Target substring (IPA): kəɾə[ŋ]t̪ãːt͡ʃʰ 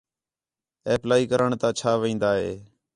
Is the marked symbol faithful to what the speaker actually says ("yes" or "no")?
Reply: no